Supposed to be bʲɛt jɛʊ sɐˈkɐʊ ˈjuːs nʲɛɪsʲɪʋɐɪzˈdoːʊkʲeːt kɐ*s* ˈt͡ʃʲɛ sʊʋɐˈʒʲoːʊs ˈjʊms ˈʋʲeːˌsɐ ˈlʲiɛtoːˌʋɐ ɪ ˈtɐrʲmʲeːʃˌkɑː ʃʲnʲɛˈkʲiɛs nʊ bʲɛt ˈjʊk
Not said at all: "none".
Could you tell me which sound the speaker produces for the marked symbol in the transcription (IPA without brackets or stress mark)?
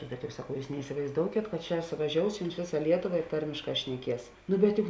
t